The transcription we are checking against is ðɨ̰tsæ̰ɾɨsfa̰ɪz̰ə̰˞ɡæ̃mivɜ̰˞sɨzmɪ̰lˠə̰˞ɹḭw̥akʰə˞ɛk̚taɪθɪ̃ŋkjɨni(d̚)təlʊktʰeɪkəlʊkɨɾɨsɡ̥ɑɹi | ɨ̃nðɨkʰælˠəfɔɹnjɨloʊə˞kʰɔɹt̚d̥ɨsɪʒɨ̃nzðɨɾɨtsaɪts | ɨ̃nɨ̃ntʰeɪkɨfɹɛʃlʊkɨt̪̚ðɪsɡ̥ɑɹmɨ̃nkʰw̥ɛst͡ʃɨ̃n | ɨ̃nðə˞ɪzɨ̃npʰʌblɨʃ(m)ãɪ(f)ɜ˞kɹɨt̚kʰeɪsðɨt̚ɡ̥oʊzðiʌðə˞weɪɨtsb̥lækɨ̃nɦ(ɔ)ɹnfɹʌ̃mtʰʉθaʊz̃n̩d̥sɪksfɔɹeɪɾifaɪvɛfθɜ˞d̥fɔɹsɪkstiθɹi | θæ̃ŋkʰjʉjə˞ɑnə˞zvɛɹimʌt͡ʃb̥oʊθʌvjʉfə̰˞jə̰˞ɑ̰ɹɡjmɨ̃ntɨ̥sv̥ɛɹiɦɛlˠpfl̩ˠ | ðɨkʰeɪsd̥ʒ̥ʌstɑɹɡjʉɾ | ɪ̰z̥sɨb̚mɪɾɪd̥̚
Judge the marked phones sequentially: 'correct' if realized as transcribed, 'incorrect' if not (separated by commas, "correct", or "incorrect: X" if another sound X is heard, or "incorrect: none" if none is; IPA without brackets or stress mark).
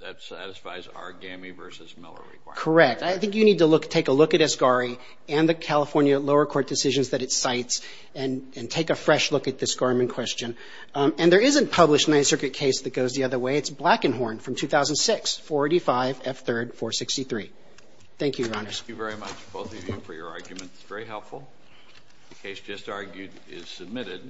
correct, incorrect: n, incorrect: s, correct